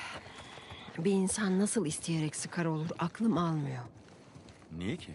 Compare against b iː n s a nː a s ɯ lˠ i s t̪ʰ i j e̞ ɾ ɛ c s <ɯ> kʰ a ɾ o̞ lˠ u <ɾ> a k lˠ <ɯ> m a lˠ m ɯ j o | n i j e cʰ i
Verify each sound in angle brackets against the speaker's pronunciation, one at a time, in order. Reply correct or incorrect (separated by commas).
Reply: correct, correct, correct